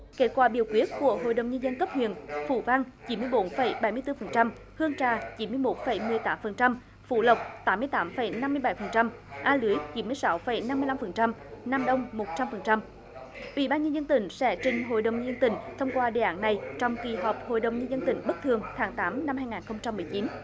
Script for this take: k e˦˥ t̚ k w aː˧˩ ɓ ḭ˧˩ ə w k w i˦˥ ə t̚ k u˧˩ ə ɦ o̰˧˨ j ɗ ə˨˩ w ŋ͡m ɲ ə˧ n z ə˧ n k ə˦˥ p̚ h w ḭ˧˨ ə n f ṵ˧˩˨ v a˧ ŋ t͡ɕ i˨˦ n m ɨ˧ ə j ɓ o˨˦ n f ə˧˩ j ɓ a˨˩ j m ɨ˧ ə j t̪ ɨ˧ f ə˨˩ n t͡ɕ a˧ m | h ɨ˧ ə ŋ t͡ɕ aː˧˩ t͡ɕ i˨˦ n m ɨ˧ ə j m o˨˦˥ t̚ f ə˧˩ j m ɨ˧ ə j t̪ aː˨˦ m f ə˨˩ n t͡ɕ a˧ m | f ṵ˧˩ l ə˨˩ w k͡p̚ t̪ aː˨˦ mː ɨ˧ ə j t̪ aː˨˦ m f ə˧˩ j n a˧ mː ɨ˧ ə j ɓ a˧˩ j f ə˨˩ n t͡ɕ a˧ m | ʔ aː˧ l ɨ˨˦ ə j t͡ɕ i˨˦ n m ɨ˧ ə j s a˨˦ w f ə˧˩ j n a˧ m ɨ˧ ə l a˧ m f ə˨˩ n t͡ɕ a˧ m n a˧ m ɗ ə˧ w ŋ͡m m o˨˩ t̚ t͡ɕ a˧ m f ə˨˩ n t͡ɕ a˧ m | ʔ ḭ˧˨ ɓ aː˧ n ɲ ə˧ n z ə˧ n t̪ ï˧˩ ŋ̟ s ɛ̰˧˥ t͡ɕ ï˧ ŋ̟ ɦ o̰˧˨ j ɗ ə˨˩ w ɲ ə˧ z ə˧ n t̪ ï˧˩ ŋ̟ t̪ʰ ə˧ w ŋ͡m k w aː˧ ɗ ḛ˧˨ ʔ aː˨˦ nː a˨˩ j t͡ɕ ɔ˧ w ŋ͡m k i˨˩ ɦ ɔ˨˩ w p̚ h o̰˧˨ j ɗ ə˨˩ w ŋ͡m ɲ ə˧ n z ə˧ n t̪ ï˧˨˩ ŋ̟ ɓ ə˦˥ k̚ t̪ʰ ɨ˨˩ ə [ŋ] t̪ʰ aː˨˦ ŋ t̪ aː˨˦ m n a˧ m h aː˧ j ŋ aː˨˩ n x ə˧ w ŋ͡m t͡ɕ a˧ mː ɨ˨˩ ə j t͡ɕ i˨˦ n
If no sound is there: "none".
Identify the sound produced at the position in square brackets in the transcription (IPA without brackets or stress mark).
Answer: ŋ